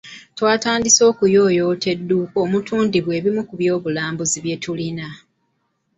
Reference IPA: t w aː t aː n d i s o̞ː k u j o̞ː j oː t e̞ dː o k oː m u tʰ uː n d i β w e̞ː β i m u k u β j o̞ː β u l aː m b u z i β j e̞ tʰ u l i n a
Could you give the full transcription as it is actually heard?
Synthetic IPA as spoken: t w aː t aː n d i s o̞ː k u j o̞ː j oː t e̞ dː u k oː m u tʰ uː n d i β w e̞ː β i m u k u β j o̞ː β u l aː m b u z i β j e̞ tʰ u l i n a

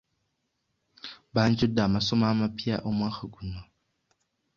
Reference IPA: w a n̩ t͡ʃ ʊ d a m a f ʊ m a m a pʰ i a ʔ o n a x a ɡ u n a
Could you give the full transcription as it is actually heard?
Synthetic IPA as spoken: b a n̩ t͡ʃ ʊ d a m a s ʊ m a m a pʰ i a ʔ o m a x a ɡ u n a

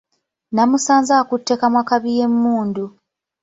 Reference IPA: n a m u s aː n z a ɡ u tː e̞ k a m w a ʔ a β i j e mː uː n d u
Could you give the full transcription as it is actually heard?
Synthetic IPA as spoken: n a m u s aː n z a k u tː e̞ k a m w a k a β i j e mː uː n d u

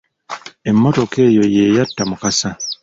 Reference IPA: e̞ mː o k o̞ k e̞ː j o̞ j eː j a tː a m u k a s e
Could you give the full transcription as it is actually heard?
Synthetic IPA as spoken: e̞ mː o t o̞ k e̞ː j o̞ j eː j a tː a m u k a s a

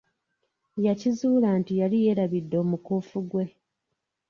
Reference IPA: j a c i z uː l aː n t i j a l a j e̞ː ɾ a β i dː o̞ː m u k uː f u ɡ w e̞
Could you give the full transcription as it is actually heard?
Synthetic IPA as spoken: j a c i z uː l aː n t i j a l i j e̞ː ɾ a β i dː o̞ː m u k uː f u ɡ w e̞

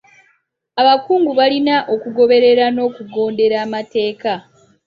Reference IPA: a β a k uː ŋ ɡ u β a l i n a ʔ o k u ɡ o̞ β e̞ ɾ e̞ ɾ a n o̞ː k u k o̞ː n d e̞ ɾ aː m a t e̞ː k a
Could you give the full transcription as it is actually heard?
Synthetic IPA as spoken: a β a k uː ŋ ɡ u β a l i n a ʔ o k u ɡ o̞ β e̞ ɾ e̞ ɾ a n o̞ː k u ɡ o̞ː n d e̞ ɾ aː m a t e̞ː k a

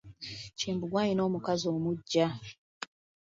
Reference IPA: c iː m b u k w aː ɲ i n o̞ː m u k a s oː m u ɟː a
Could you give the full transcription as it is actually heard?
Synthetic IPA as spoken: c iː m b u ɡ w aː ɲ i n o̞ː m u k a z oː m u ɟː a

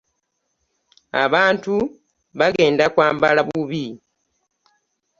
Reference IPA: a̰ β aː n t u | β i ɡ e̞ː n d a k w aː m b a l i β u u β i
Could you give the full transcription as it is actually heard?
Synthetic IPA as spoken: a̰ β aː n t u | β a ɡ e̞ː n d a k w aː m b a l a β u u β i

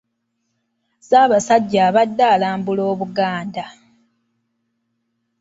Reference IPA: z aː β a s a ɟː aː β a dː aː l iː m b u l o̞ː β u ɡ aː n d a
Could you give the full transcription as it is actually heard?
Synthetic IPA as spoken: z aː β a s a ɟː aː β a dː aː l aː m b u l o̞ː β u ɡ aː n d a

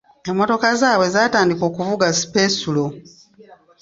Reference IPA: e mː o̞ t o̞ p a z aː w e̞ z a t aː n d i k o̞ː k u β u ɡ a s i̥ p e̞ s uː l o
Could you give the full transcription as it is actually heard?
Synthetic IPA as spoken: e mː o̞ t o̞ k a z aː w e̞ z a t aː n d i k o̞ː k u v u ɡ a s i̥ p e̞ s u l o

